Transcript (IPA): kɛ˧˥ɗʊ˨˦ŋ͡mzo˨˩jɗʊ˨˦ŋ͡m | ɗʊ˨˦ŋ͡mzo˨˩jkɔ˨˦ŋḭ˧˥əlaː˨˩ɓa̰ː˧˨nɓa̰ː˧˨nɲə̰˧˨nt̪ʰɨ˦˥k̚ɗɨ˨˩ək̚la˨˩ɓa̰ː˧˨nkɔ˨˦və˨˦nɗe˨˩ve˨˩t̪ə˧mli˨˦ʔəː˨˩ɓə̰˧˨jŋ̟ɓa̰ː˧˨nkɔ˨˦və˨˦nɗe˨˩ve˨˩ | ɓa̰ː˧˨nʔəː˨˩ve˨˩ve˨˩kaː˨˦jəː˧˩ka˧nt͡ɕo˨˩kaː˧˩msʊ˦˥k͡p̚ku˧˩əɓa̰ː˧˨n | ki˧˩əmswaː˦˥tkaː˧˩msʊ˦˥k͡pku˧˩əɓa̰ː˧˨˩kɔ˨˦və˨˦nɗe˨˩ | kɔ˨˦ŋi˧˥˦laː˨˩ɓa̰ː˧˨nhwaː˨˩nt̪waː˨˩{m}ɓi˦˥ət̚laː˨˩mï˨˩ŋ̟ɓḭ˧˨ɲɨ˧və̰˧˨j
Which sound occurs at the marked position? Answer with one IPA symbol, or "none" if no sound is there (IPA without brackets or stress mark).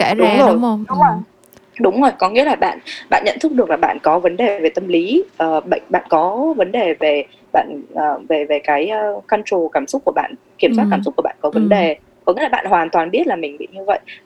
n